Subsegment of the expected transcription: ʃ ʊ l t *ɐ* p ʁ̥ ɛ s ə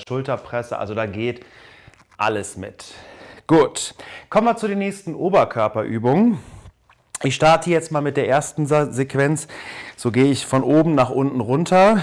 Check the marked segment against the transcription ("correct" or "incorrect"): correct